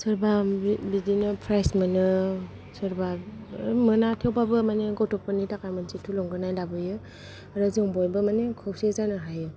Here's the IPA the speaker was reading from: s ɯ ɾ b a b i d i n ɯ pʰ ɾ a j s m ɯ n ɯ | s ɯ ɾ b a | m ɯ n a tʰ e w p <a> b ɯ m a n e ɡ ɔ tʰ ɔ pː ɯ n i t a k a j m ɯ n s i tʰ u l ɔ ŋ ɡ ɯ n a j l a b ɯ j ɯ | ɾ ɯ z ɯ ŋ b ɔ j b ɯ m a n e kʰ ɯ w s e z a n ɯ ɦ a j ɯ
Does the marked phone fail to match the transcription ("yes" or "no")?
no